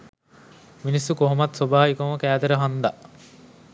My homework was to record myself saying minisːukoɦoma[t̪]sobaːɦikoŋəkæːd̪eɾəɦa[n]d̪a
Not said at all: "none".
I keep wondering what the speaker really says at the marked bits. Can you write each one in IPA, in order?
t̪, n

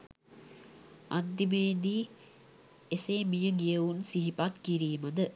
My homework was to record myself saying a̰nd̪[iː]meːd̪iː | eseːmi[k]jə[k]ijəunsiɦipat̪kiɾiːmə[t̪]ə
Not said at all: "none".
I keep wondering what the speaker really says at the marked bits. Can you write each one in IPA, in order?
i, none, ɡ, d̪

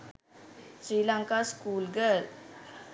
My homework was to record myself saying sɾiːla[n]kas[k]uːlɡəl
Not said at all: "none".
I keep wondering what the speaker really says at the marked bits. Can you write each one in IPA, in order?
ŋ, k

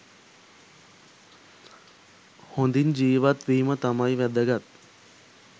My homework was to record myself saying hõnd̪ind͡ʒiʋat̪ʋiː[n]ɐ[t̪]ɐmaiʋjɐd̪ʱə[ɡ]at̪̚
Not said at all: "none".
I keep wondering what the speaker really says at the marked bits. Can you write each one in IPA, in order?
m, t̪, ɡ

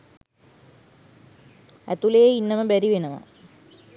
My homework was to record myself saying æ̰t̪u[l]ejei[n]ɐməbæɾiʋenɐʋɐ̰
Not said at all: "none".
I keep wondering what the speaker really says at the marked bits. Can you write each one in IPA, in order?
l, nː

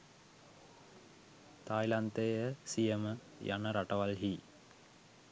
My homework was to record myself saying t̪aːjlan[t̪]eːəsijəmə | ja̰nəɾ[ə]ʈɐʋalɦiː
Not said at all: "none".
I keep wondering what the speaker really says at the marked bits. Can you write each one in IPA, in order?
t̪, a

